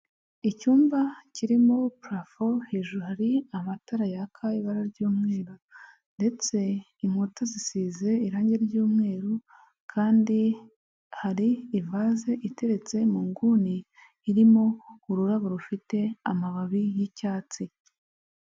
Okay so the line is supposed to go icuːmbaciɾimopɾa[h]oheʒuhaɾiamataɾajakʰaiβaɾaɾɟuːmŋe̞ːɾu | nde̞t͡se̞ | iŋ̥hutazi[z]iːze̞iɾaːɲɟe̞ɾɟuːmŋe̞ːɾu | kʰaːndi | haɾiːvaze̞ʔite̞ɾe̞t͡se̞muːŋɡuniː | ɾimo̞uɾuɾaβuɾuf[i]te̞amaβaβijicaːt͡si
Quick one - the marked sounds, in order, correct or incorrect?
incorrect: f, incorrect: s, correct

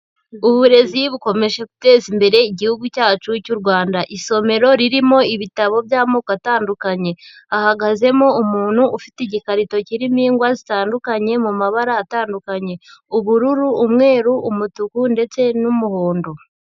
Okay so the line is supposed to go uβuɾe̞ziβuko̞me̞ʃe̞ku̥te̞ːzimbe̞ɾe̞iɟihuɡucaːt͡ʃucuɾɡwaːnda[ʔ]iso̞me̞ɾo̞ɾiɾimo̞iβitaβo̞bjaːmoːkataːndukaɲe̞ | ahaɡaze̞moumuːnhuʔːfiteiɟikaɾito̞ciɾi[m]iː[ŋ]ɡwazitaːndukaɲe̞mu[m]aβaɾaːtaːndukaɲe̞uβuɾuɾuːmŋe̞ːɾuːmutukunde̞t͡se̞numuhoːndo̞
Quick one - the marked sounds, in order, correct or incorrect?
correct, correct, correct, correct

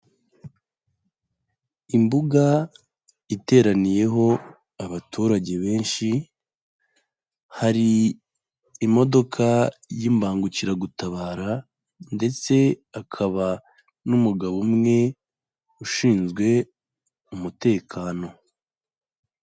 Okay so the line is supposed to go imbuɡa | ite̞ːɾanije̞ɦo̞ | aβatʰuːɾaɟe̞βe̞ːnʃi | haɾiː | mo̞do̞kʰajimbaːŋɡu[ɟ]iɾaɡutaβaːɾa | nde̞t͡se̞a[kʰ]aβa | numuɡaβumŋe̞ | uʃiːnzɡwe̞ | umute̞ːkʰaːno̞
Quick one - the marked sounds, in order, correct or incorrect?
incorrect: c, correct

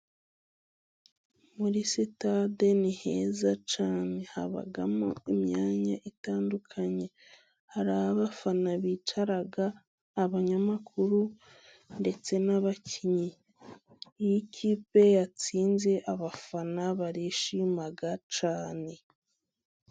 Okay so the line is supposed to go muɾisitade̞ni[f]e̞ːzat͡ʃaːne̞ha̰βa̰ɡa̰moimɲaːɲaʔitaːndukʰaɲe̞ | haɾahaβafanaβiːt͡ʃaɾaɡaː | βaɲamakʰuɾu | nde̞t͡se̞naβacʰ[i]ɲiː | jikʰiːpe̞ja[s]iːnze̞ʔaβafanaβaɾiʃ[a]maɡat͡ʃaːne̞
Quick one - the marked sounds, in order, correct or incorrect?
incorrect: h, correct, incorrect: t͡s, incorrect: i

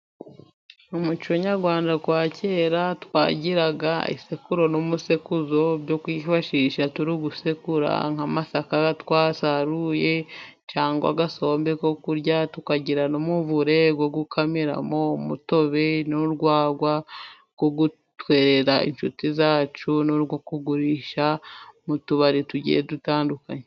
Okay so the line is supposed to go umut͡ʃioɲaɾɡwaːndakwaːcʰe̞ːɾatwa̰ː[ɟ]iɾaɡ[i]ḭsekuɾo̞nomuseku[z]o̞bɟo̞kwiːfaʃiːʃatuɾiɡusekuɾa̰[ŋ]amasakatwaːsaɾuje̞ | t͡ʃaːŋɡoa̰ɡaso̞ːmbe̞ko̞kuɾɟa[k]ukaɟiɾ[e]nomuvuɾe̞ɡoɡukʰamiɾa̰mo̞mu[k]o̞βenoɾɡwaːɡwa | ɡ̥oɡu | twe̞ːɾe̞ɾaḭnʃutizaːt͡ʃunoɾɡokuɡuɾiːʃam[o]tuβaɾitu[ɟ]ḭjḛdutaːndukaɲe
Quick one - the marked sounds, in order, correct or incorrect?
correct, incorrect: a, correct, correct, incorrect: t, incorrect: a, incorrect: t, incorrect: u, correct

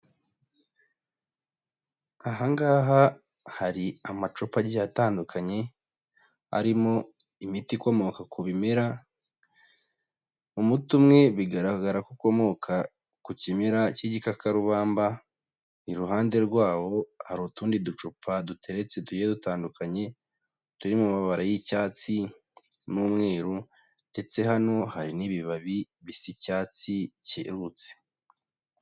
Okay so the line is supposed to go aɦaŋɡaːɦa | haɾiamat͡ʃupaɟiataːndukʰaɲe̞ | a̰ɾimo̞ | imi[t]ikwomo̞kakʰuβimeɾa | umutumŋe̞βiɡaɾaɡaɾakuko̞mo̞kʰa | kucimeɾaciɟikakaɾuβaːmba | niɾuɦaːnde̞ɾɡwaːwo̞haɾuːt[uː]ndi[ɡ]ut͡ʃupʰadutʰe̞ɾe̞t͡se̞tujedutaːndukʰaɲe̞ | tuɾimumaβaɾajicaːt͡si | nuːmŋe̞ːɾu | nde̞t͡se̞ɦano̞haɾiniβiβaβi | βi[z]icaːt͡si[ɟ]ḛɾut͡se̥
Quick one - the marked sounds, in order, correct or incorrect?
correct, correct, incorrect: d, incorrect: s, incorrect: c

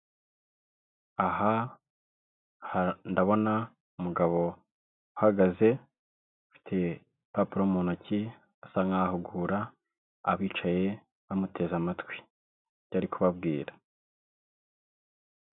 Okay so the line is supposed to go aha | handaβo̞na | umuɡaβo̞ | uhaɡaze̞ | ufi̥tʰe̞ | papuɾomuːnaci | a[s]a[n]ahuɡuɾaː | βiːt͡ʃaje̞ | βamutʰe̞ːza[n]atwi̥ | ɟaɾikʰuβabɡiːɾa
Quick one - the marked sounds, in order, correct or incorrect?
correct, incorrect: ŋ, incorrect: m

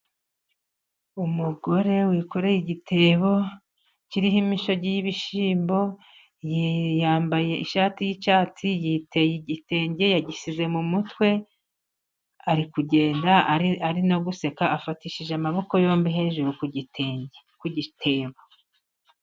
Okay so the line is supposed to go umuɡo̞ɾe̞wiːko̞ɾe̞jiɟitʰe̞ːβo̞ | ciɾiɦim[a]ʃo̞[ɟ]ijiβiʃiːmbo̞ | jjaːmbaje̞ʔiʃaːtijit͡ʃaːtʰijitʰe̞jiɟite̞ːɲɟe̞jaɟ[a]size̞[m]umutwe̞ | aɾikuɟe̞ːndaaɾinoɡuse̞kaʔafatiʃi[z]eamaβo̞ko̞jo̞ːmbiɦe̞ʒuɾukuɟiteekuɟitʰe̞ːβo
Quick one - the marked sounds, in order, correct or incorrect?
incorrect: i, correct, incorrect: i, correct, incorrect: ʒ

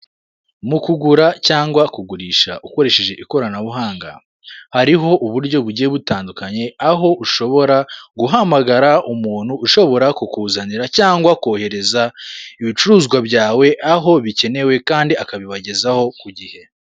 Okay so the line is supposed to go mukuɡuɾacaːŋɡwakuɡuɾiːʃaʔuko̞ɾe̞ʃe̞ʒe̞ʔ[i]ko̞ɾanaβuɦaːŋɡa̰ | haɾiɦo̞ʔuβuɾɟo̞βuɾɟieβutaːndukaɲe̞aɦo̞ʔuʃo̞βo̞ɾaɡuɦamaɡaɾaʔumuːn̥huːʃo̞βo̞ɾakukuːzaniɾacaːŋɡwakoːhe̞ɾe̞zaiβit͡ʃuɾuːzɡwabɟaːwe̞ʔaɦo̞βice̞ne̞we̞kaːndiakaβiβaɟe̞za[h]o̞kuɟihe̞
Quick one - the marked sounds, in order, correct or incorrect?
correct, correct

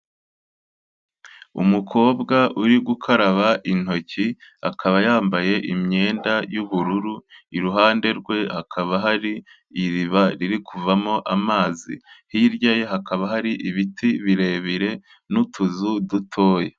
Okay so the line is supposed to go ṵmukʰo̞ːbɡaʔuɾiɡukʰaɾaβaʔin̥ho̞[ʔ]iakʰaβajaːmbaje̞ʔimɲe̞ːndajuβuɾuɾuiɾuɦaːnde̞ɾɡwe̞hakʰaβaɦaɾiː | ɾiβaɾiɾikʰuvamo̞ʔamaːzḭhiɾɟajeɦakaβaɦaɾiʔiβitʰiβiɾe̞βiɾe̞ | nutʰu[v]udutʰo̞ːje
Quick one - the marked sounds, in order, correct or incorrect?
incorrect: c, incorrect: z

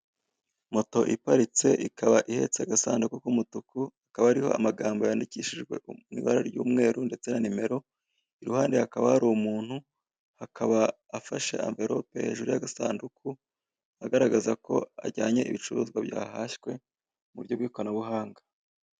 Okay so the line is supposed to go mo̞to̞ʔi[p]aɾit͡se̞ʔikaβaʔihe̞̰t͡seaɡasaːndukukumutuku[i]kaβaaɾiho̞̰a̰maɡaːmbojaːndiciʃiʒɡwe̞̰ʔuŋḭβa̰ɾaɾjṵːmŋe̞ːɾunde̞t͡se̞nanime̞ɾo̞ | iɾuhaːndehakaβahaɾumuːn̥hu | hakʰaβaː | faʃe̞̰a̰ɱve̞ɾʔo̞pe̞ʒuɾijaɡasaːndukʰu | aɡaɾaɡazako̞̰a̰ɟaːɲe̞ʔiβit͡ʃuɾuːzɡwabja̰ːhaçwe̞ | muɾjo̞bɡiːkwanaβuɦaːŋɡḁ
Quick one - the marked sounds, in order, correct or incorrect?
correct, incorrect: a

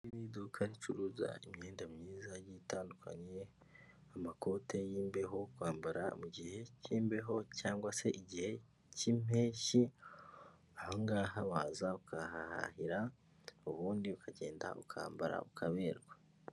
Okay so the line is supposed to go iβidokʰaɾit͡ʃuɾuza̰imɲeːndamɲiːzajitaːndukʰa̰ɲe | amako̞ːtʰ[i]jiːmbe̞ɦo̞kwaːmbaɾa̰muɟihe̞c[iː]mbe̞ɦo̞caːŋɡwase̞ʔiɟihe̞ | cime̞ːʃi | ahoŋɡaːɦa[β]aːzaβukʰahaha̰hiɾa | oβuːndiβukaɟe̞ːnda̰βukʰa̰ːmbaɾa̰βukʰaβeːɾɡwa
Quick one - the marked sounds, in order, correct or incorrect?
incorrect: e, correct, correct

